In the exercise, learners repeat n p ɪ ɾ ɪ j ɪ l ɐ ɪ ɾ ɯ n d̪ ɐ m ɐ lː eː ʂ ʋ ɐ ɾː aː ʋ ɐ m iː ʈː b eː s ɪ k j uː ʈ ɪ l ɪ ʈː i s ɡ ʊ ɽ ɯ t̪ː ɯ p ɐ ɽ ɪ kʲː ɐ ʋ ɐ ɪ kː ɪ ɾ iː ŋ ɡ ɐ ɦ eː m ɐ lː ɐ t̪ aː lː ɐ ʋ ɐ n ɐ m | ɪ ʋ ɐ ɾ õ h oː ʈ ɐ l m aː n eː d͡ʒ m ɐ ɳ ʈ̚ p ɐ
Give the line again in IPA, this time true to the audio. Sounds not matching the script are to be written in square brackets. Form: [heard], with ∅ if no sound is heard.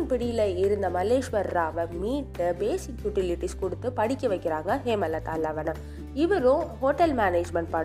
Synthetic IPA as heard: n p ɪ [ɽ] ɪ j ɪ l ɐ ɪ ɾ ɯ n d̪ ɐ m ɐ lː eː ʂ ʋ ɐ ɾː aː ʋ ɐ m iː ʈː b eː s ɪ k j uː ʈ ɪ l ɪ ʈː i s [k] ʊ ɽ ɯ t̪ː ɯ p ɐ ɽ ɪ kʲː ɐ ʋ ɐ ɪ kː ɪ ɾ [aː] ŋ ɡ ɐ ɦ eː m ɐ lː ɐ t̪ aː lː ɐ ʋ ɐ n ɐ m | ɪ ʋ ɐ ɾ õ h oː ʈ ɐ l m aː n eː d͡ʒ m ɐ ɳ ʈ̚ p ɐ